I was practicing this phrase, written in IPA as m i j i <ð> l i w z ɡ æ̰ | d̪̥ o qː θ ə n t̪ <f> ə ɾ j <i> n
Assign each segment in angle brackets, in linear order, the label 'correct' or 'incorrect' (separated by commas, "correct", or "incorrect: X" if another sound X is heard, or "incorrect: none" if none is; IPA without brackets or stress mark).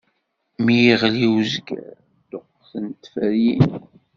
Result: incorrect: ʁ, correct, correct